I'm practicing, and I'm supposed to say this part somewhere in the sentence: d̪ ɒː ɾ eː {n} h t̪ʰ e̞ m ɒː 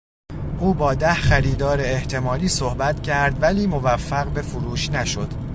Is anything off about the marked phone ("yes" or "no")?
yes